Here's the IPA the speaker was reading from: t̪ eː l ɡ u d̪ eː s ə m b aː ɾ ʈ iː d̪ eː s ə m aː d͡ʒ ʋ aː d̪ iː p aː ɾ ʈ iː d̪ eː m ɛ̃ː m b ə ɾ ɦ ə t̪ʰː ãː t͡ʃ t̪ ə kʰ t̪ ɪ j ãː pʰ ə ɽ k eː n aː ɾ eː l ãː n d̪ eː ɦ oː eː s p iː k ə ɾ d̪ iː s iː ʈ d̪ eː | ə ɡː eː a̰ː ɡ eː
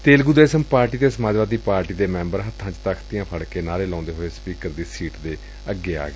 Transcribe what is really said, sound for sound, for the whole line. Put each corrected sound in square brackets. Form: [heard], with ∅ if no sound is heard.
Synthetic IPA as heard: t̪ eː l ɡ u d̪ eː s ə m [p] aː ɾ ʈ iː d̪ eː s ə m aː d͡ʒ ʋ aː d̪ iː p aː ɾ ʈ iː d̪ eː m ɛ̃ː m b ə ɾ ɦ ə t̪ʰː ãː t͡ʃ t̪ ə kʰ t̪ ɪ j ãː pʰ ə ɽ k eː n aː ɾ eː l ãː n d̪ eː ɦ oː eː s p iː k ə ɾ d̪ iː s iː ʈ d̪ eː | ə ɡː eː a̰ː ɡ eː